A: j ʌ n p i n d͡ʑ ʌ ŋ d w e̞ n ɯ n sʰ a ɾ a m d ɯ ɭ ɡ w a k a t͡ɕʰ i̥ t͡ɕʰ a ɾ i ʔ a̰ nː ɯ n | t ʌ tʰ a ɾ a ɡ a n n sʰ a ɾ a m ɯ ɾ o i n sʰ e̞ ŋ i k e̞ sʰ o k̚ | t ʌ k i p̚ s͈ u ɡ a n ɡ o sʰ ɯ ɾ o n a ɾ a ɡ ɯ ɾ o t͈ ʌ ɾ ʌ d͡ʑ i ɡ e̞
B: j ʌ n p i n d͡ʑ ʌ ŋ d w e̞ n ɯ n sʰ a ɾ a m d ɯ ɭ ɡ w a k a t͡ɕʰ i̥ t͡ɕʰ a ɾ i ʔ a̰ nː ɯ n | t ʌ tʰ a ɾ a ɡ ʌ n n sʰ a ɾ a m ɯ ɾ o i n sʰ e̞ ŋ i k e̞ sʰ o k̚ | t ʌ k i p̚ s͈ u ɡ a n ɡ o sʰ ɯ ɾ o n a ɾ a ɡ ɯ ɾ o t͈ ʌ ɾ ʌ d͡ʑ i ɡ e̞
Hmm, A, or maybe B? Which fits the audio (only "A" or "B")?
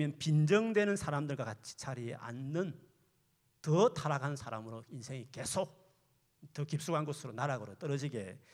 A